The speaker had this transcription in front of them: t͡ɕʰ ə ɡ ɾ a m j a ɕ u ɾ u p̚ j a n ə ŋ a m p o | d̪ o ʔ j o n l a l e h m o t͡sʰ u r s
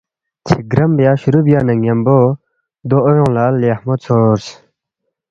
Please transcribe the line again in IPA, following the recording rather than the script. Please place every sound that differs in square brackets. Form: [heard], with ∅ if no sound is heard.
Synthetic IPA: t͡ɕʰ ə ɡ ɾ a m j a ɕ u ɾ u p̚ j a n ə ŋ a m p o | d̪ o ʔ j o [ŋ] l a l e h m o t͡sʰ [o] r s